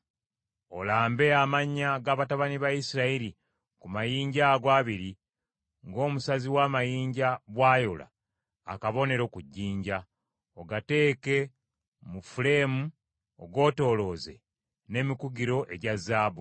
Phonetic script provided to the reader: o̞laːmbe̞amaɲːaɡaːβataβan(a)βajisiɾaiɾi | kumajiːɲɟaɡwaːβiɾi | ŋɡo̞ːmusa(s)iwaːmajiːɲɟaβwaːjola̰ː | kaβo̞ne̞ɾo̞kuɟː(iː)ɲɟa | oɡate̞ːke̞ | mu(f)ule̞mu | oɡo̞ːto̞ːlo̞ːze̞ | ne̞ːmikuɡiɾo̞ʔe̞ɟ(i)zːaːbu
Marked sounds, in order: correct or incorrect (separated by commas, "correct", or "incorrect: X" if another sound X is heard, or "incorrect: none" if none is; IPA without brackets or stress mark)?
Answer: incorrect: i, incorrect: z, correct, correct, incorrect: a